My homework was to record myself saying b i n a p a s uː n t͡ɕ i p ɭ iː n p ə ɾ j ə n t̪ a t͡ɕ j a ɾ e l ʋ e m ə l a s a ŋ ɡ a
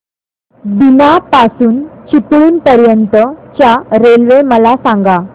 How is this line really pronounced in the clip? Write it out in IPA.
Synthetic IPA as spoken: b i n a p a s uː n t͡ɕ i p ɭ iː n p ə ɾ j ə n t̪ ə t͡ɕ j a ɾ e l ʋ e m ə l a s a ŋ ɡ a